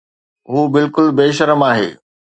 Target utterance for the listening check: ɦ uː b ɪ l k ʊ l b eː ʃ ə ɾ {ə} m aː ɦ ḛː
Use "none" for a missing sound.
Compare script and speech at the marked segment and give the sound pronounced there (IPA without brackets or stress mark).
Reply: ə